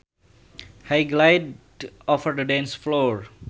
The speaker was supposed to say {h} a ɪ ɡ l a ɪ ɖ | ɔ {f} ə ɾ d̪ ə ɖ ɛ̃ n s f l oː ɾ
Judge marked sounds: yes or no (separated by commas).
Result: yes, yes